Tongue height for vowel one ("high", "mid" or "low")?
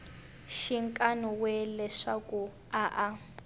high